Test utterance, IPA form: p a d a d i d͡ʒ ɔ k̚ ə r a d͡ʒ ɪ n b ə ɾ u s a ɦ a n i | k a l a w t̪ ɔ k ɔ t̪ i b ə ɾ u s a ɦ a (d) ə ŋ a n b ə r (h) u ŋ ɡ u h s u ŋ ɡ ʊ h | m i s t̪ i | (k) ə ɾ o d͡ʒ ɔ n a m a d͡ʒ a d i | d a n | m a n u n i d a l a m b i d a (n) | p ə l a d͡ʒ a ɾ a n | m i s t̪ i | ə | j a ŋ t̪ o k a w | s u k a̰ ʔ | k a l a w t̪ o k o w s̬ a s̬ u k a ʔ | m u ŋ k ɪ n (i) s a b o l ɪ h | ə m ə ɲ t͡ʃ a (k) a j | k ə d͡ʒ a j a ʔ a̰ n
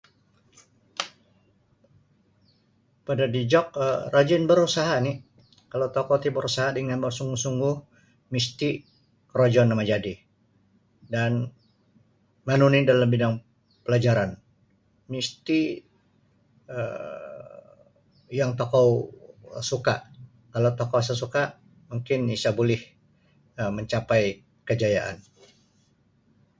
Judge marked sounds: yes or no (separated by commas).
yes, no, yes, no, yes, no